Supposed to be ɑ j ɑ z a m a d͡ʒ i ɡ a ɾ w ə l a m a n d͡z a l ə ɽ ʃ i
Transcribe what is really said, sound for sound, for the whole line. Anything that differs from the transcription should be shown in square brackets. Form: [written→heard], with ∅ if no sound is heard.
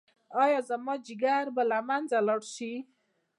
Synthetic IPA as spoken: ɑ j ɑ z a m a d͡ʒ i ɡ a ɾ [w→b] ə l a m a n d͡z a l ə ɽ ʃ i